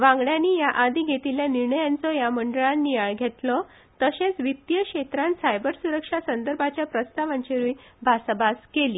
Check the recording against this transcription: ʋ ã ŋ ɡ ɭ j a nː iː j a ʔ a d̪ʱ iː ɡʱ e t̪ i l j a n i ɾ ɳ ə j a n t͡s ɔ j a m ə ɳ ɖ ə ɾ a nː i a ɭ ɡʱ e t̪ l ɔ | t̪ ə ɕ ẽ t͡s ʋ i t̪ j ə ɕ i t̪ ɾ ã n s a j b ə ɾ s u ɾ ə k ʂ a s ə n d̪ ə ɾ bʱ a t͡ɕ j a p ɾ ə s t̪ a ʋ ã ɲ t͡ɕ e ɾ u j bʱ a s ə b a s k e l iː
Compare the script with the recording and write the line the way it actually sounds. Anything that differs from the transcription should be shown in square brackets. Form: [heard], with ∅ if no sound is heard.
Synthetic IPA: ʋ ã ŋ ɡ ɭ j a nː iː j a ʔ a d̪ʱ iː ɡʱ e t̪ i l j a n i ɾ ɳ ə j a n t͡s ɔ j a m ə ɳ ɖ ə [ɭ] a nː i a ɭ ɡʱ e t̪ l ɔ | t̪ ə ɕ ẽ t͡s ʋ i t̪ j ə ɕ [e] t̪ ɾ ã n s a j b ə ɾ s u ɾ ə k ʂ a s ə n d̪ ə ɾ bʱ a t͡ɕ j a p ɾ ə s t̪ a ʋ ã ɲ t͡ɕ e ɾ u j bʱ a s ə b a s k e l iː